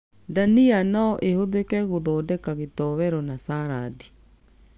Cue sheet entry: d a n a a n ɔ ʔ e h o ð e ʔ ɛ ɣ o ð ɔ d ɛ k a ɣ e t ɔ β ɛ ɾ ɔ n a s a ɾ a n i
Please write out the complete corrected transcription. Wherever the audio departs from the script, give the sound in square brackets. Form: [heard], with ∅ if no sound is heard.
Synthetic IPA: d a n [i] a n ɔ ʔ e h o ð e [k] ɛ ɣ o ð ɔ d ɛ k a ɣ e t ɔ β ɛ ɾ ɔ n a s a ɾ a [d] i